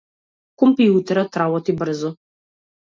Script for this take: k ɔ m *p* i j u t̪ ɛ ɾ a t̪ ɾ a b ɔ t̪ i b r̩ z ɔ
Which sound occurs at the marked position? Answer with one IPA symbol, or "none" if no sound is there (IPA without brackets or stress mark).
p